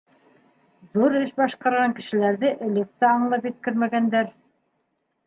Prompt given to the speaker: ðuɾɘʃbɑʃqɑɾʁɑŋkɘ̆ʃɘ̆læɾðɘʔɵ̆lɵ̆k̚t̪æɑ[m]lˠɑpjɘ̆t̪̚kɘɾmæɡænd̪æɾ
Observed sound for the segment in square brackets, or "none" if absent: ɴ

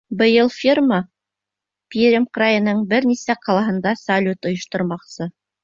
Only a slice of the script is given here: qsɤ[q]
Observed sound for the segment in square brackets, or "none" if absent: none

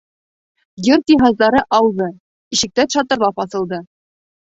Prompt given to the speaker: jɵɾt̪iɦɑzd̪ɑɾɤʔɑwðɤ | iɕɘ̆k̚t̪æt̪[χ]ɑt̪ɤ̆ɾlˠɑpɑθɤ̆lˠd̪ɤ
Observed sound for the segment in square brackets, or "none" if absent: ʃ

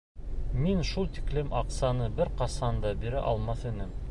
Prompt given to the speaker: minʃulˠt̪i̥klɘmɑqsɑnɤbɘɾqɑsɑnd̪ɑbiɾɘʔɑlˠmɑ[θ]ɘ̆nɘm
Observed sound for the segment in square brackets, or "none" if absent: θ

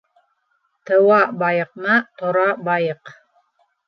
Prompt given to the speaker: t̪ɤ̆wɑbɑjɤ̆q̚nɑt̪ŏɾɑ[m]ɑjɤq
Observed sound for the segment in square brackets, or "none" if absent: b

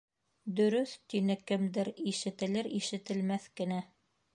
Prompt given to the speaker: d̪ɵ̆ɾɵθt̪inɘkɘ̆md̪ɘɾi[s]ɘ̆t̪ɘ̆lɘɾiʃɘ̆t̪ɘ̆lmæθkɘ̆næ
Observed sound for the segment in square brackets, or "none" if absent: ʃ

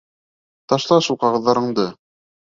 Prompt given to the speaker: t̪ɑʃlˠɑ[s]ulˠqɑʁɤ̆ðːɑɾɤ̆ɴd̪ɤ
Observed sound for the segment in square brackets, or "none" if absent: ʃ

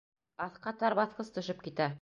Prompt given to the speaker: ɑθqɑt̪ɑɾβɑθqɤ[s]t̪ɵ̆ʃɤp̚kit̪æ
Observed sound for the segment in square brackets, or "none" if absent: s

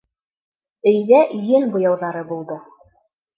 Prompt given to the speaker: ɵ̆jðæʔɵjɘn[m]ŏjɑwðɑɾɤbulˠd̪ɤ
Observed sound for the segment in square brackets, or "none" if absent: b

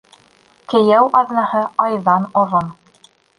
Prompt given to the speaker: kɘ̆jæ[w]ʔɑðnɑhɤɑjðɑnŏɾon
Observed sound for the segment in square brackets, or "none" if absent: w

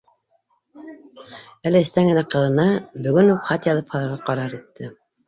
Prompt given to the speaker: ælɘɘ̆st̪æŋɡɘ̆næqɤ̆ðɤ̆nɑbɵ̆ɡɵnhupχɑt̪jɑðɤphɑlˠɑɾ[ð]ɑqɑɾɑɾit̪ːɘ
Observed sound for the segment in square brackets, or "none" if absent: ʁ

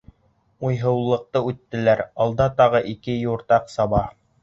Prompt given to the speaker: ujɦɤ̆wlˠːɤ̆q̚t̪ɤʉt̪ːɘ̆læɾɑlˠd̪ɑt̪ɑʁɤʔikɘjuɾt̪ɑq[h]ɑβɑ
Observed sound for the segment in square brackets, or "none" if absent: s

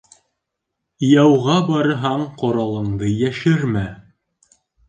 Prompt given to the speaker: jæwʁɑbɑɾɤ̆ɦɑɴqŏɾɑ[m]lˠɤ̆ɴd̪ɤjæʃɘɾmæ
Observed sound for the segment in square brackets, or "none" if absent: none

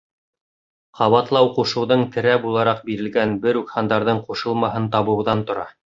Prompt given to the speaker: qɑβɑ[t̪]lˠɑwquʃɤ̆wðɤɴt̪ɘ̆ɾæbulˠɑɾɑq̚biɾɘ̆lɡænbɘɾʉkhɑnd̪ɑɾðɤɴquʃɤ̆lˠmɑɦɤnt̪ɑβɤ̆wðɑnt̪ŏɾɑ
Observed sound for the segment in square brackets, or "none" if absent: t̪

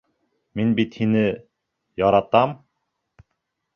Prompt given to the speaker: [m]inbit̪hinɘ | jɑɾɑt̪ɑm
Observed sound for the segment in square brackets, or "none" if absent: m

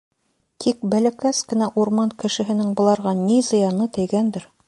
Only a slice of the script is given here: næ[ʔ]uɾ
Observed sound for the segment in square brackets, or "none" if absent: ʔ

